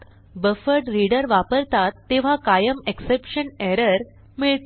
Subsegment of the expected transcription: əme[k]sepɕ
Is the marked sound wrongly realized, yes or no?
no